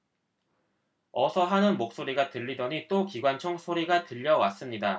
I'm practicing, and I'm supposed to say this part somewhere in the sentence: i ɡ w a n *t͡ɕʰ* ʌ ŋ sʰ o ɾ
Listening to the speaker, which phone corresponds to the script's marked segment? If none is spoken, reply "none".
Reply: t͡ɕʰ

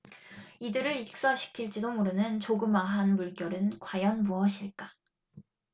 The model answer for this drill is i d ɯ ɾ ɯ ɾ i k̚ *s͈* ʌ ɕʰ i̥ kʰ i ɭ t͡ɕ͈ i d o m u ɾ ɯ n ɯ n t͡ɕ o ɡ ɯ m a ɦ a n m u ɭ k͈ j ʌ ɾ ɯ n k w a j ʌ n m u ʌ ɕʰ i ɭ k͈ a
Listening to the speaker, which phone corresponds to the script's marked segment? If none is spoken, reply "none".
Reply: s͈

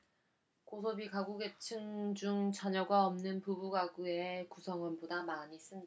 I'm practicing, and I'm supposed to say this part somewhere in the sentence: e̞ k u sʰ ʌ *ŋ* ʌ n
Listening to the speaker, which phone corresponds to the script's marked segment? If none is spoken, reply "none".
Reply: ŋ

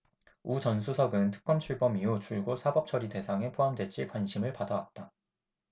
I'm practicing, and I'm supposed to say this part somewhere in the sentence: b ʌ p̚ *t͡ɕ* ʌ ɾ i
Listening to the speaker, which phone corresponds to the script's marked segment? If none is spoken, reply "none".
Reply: t͡ɕʰ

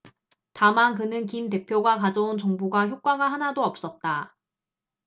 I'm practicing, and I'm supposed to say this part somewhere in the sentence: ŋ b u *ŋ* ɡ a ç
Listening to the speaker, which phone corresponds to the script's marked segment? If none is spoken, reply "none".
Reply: none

